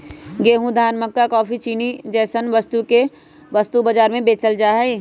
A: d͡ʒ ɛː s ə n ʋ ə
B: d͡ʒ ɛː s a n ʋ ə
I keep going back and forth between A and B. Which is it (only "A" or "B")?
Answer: A